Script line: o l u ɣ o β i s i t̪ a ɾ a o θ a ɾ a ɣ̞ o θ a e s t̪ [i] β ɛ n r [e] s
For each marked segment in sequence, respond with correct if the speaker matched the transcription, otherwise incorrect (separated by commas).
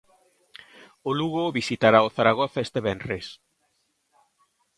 incorrect, correct